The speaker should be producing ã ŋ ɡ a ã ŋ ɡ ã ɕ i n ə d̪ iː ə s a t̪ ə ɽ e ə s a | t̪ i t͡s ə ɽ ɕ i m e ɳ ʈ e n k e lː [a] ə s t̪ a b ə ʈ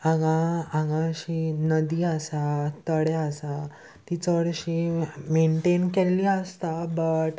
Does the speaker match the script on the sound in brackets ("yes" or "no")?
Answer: no